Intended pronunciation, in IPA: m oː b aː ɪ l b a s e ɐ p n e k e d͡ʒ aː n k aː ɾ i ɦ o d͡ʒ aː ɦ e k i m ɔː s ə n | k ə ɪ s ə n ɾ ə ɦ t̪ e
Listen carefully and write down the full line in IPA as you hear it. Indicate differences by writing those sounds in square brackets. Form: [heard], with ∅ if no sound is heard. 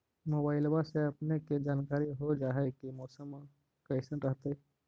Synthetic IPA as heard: m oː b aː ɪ l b a s e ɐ p n e k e d͡ʒ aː n k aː ɾ i ɦ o d͡ʒ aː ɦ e k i m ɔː s ə [m] | k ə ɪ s ə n ɾ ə ɦ t̪ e